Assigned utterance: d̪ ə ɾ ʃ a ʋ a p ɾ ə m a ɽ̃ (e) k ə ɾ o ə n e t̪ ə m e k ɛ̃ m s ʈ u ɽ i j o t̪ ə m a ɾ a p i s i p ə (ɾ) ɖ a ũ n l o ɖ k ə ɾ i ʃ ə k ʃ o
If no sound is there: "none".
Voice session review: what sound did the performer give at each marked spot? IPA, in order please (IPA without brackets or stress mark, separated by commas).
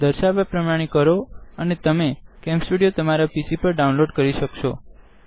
i, ɾ